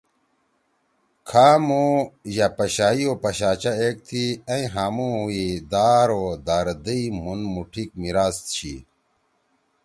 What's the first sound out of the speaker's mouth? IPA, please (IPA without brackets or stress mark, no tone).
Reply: kʰ